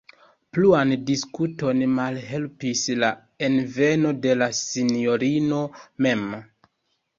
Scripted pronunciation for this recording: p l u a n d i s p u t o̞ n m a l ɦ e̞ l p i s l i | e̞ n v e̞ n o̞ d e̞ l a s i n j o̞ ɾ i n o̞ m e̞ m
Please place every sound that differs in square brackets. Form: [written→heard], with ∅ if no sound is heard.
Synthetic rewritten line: p l u a n d i s [p→k] u t o̞ n m a l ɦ e̞ l p i s l [i→a] | e̞ n v e̞ n o̞ d e̞ l a s i n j o̞ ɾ i n o̞ m e̞ m